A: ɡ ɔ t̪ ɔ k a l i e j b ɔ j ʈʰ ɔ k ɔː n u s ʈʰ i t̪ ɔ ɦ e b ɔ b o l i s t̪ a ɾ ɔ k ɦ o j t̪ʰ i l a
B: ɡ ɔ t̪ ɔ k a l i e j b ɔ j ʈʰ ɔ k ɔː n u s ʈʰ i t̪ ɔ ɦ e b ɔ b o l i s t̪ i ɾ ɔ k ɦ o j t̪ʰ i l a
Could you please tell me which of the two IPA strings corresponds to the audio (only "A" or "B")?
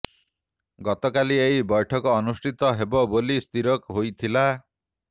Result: B